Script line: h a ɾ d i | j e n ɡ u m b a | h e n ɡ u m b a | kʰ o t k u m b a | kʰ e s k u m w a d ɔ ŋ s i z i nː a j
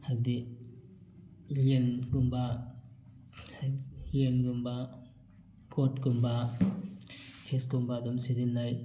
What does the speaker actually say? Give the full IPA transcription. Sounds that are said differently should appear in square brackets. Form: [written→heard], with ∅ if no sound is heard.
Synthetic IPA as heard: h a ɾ d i | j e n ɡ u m b a | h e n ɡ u m b a | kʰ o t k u m b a | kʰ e s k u m [w→b] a d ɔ [ŋ→m] s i z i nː a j